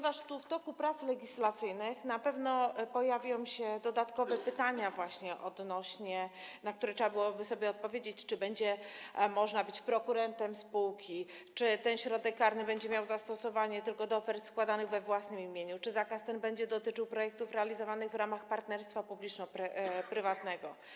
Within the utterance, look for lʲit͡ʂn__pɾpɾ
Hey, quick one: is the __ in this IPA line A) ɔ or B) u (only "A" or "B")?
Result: A